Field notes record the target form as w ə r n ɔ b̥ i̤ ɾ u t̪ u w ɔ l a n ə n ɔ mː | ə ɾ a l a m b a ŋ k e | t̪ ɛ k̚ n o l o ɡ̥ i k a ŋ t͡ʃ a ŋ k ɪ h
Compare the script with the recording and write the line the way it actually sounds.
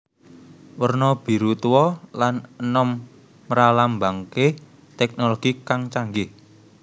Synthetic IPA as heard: w ə r n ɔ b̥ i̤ ɾ u t̪ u w ɔ l a n ə n ɔ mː | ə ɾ a l a m b a ŋ k e | t̪ ɛ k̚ n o l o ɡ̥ i k a ŋ t͡ʃ a ŋ ɡ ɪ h

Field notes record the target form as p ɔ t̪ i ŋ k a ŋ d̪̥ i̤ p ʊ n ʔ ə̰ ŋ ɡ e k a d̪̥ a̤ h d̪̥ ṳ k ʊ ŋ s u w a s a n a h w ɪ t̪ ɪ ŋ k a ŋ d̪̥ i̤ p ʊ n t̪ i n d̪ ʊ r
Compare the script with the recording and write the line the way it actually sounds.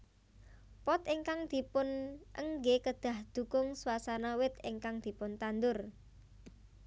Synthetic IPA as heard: p ɔ t̪ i ŋ k a ŋ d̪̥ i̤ p ʊ n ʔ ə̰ ŋ ɡ e k ə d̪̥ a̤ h d̪̥ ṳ k ʊ ŋ s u w a s a n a w ɪ t̪ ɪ ŋ k a ŋ d̪̥ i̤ p ʊ n t̪ a n d̪ ʊ r

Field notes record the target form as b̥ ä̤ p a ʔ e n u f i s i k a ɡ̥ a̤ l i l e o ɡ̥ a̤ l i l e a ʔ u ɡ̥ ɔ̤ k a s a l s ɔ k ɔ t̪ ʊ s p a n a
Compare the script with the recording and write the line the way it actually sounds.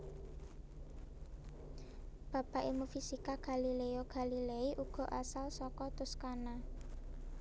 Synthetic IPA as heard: b̥ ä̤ p a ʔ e m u f i s i k a ɡ̥ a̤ l i l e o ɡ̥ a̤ l i l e i ʔ u ɡ̥ ɔ̤ ʔ a s a l s ɔ k ɔ t̪ ʊ s k a n a

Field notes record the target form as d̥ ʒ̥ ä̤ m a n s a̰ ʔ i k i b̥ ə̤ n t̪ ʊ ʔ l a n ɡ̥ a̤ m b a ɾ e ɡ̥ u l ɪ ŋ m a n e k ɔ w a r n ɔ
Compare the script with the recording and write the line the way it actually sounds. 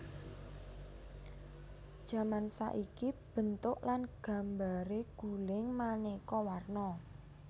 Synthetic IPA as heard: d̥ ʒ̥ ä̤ m a n s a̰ ʔ i k i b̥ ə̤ n t̪ ʊ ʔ l a n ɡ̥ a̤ m b a ɾ e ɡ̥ u l ɪ ŋ m a n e k ɔ w a r n ɔ

